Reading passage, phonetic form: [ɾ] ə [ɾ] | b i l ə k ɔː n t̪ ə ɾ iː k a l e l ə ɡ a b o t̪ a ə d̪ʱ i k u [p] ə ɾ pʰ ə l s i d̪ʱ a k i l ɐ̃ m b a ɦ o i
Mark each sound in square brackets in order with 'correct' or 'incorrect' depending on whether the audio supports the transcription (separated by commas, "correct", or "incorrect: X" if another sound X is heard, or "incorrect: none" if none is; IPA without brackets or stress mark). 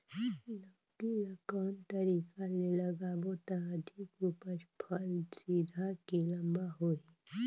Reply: incorrect: l, incorrect: none, correct